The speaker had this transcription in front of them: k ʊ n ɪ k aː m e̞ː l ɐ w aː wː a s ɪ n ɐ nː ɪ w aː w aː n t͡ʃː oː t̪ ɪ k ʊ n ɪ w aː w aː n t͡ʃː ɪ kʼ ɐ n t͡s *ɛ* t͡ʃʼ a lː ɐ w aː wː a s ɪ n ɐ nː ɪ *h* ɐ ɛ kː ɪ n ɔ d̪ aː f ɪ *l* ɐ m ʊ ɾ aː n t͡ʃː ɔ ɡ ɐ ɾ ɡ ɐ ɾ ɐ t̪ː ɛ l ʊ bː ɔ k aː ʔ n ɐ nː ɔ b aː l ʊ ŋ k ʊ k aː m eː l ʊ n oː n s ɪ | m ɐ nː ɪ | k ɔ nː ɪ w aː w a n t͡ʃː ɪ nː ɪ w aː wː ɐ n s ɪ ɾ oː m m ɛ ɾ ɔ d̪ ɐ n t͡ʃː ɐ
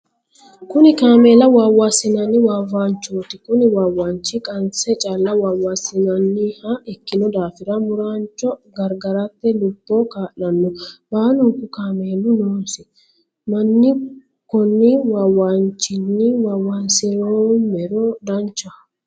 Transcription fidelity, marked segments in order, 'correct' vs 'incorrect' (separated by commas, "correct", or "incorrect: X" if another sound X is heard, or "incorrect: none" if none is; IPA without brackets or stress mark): correct, correct, incorrect: ɾ